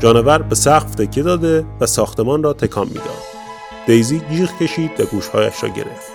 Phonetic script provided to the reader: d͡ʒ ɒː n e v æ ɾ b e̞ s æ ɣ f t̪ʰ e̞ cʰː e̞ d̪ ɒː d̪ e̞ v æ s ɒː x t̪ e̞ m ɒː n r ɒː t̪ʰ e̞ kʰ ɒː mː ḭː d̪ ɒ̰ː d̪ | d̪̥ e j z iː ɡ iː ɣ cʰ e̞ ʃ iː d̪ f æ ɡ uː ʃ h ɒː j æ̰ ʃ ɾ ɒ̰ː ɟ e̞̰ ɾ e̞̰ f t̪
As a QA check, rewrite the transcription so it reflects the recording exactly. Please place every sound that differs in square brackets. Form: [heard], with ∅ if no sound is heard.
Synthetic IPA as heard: d͡ʒ ɒː n e v æ ɾ b e̞ s æ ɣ f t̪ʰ e̞ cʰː e̞ d̪ ɒː d̪ e̞ v æ s ɒː x t̪ e̞ m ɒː n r ɒː t̪ʰ e̞ kʰ ɒː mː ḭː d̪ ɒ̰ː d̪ | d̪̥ e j z iː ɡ iː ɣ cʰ e̞ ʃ iː d̪ [v] æ ɡ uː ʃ h ɒː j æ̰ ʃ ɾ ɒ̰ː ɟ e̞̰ ɾ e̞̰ f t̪